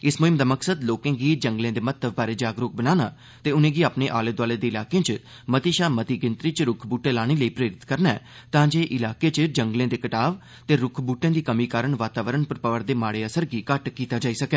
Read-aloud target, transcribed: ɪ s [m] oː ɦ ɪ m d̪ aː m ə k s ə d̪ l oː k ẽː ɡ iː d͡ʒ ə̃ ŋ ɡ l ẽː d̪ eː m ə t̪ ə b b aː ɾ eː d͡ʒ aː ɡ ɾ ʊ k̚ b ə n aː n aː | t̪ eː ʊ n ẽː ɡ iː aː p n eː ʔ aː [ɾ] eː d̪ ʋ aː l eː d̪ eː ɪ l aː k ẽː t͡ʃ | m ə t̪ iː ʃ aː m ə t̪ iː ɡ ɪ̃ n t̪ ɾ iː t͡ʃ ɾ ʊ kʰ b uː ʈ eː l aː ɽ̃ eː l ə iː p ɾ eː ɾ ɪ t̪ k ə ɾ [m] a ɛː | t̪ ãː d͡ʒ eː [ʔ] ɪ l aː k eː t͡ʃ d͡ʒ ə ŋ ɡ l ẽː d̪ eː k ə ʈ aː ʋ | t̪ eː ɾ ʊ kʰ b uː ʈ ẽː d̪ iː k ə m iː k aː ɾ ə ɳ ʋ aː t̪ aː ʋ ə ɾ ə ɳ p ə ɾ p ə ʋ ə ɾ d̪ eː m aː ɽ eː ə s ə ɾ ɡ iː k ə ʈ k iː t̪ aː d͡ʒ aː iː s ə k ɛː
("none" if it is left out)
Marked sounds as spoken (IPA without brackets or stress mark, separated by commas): m, l, n, ʔ